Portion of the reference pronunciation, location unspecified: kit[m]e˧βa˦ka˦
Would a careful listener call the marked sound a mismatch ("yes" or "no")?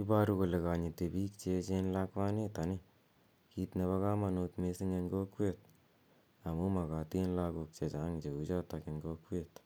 yes